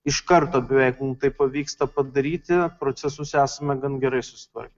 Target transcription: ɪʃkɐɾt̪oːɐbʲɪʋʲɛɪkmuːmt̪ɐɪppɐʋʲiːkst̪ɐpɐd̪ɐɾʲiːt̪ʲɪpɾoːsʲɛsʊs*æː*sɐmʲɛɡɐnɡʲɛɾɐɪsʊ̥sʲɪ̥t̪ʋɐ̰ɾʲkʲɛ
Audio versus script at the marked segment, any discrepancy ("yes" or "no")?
no